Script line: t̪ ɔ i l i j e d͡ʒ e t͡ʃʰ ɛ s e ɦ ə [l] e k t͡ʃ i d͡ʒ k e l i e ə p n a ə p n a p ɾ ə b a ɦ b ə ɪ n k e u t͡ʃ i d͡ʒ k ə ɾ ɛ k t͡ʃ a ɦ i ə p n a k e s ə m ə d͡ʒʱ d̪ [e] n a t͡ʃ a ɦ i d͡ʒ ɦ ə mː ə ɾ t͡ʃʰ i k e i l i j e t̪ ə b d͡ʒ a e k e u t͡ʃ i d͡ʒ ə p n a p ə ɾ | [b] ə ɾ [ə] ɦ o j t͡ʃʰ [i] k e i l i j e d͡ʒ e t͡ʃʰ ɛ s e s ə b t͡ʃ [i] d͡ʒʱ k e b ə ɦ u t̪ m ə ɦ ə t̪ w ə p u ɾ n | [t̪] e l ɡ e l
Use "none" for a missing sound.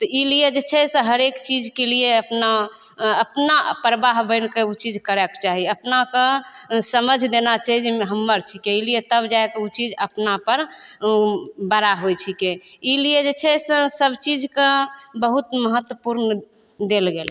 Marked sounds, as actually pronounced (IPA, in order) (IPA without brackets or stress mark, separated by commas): ɾ, e, b, a, i, i, d̪